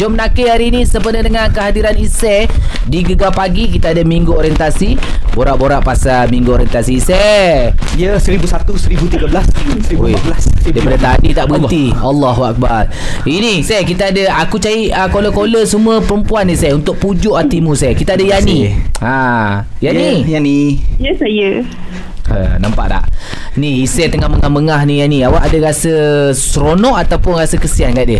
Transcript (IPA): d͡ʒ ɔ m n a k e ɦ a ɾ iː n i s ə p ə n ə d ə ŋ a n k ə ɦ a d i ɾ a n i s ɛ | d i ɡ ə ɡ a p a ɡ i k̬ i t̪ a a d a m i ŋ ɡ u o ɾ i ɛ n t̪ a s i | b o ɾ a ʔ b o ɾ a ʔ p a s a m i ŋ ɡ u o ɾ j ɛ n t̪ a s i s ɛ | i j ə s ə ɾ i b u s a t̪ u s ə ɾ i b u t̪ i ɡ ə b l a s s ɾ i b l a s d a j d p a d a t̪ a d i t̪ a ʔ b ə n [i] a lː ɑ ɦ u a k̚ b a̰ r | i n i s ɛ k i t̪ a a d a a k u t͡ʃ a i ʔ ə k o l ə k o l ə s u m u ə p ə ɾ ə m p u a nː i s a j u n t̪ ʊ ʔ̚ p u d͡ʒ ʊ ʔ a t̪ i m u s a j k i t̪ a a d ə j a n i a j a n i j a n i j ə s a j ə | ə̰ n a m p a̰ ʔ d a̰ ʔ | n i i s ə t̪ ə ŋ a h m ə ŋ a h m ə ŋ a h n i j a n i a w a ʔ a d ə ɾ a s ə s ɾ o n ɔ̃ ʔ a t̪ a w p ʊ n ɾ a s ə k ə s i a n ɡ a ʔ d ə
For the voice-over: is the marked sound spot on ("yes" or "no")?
yes